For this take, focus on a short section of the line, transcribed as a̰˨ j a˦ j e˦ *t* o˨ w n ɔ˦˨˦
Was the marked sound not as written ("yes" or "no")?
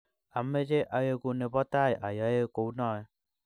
yes